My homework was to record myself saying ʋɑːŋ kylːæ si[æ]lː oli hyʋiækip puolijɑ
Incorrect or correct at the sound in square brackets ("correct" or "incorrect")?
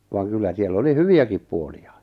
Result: incorrect